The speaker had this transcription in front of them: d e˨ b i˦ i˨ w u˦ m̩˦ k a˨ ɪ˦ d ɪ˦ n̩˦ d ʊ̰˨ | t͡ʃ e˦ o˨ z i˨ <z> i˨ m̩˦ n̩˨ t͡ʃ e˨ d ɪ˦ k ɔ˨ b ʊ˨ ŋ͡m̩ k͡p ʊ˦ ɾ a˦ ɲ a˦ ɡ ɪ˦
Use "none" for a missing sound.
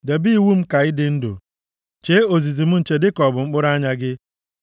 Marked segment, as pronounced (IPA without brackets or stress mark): z